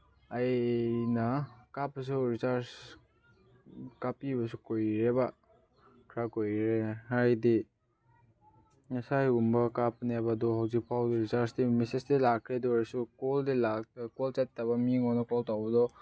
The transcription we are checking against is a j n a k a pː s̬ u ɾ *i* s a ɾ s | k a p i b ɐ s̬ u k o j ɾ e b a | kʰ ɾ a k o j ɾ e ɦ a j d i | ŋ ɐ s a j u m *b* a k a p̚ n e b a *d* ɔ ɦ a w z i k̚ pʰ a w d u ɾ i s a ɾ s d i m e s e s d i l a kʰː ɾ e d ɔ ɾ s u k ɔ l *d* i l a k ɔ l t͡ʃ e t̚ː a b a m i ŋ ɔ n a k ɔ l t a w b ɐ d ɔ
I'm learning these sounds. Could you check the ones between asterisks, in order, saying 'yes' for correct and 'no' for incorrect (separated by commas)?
yes, yes, yes, yes